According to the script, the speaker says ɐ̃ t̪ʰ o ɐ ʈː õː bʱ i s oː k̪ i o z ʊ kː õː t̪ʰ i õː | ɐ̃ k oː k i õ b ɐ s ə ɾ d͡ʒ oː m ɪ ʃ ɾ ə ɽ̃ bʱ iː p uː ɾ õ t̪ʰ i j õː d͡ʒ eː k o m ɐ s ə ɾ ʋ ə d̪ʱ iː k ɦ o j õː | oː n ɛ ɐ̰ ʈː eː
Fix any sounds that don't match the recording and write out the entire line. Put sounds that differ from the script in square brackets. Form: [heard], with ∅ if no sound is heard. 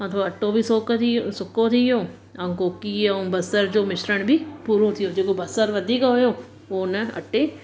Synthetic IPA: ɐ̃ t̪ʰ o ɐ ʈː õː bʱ i s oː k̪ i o [s] ʊ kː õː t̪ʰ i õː | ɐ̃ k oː k i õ b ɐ s ə ɾ d͡ʒ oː m ɪ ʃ ɾ ə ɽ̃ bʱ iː p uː ɾ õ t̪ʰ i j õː d͡ʒ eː k o [b] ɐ s ə ɾ ʋ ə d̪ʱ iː k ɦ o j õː | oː n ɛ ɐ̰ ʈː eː

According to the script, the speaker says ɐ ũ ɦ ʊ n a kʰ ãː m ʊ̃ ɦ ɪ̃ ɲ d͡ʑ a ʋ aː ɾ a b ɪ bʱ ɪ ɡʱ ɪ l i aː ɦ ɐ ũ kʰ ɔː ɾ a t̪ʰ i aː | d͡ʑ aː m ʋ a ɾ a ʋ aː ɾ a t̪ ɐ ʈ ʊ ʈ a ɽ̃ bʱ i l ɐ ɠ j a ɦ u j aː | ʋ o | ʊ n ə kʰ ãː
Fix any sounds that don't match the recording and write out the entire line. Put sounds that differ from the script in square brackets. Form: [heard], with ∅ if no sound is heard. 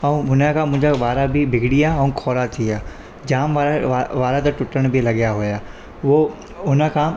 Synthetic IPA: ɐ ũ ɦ ʊ n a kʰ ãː m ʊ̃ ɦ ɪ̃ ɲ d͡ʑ a ʋ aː ɾ a b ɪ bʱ ɪ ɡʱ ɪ [ɽ] i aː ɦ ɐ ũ kʰ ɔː ɾ a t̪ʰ i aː | d͡ʑ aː m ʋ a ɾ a ʋ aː ɾ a t̪ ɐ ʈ ʊ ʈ [ə] ɽ̃ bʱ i l ɐ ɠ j a ɦ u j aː | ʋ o | ʊ n ə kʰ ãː

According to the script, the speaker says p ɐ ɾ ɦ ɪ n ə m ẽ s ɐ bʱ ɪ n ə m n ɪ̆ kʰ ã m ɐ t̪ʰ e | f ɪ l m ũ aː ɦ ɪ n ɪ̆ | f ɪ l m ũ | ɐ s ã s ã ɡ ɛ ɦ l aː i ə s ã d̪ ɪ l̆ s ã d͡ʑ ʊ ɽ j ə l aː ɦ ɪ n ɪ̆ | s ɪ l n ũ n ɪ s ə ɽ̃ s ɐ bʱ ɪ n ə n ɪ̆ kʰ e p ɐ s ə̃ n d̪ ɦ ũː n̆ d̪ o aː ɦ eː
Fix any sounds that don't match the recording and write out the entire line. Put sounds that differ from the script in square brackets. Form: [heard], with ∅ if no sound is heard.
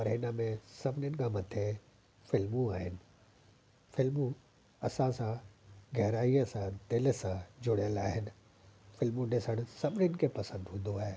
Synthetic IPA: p ɐ ɾ ɦ ɪ n ə m ẽ s ɐ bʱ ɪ n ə [∅] n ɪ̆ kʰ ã m ɐ t̪ʰ e | f ɪ l m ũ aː ɦ ɪ n ɪ̆ | f ɪ l m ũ | ɐ s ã s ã ɡ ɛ ɦ [ɾ] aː i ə s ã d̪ ɪ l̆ s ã d͡ʑ ʊ ɽ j ə l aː ɦ ɪ n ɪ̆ | [f] ɪ l [m] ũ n ɪ s ə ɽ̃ s ɐ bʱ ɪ n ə n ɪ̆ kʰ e p ɐ s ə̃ n d̪ ɦ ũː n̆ d̪ o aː ɦ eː

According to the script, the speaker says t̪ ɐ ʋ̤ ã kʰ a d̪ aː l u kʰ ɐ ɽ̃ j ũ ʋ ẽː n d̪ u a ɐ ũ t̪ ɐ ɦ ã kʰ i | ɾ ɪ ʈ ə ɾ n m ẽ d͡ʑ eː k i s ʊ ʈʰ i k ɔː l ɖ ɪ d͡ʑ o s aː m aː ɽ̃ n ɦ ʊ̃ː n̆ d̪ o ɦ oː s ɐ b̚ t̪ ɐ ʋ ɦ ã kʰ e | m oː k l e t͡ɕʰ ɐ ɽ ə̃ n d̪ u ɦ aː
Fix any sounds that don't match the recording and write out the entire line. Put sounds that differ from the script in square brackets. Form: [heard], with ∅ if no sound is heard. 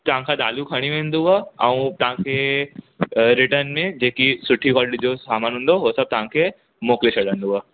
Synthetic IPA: t̪ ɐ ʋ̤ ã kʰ a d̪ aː l u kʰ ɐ ɽ̃ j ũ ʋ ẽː n d̪ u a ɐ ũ t̪ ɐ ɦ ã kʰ [e] | ɾ ɪ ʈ ə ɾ n m ẽ d͡ʑ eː k i s ʊ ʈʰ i k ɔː l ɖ [i] d͡ʑ o s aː m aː [∅] n ɦ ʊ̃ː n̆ d̪ o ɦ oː s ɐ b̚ t̪ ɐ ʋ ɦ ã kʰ e | m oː k l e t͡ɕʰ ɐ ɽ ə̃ n d̪ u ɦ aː

